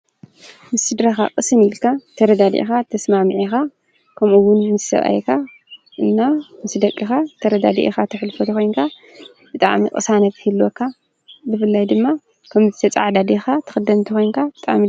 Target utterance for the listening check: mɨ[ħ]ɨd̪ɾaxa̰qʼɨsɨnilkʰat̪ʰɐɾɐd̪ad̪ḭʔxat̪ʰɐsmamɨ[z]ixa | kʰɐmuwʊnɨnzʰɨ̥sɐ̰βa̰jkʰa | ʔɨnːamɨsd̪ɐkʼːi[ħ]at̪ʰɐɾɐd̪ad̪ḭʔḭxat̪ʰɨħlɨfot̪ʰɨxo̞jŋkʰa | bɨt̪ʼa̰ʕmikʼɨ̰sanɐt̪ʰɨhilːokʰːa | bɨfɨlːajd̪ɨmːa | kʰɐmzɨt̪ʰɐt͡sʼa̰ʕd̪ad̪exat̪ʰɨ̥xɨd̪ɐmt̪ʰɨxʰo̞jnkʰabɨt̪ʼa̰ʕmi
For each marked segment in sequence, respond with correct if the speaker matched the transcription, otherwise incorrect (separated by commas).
incorrect, incorrect, incorrect